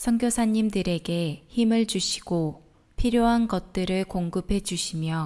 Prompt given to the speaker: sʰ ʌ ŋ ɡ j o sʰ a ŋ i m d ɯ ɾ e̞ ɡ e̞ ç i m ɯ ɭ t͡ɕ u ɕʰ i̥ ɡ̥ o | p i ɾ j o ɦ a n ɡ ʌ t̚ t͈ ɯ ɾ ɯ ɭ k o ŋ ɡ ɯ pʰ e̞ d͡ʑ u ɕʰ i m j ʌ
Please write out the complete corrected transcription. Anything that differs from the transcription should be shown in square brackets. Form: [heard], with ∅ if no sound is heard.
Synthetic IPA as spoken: sʰ ʌ ŋ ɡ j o sʰ a [ɲ] i m d ɯ ɾ e̞ ɡ e̞ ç i m ɯ ɭ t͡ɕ u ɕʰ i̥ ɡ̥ o | [pʰ] i ɾ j o ɦ a n ɡ ʌ t̚ t͈ ɯ ɾ ɯ ɭ k o ŋ ɡ ɯ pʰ e̞ d͡ʑ u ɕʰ i m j ʌ